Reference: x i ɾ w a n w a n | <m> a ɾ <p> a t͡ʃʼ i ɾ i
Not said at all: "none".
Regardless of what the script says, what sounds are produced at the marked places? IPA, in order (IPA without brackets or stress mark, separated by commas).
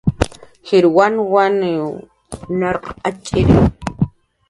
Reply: n, q